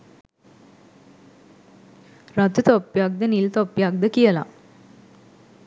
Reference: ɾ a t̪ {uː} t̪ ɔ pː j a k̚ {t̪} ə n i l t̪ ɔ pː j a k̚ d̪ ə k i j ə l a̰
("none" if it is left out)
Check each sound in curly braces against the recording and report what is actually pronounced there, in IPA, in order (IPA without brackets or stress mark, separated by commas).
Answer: u, d̪